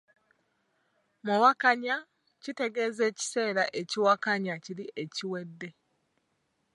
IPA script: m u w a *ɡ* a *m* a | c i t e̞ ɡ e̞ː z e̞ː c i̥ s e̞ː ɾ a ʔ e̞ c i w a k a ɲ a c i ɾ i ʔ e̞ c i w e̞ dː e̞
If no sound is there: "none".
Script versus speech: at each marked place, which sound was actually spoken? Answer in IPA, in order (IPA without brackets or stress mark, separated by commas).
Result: k, ɲ